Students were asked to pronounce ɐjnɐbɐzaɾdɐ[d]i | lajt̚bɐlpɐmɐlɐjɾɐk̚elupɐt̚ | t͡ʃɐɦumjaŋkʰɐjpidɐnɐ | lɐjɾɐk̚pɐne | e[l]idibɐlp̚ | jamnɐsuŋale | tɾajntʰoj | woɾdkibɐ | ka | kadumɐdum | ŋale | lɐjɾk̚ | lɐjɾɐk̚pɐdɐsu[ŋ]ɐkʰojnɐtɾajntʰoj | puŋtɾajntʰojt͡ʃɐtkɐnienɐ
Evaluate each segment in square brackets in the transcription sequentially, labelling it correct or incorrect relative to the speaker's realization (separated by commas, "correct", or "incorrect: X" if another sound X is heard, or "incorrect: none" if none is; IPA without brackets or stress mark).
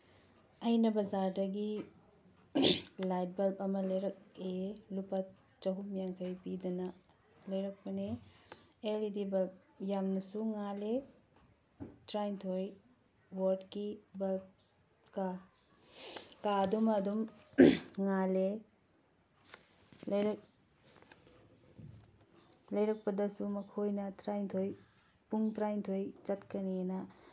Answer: incorrect: ɡ, correct, incorrect: m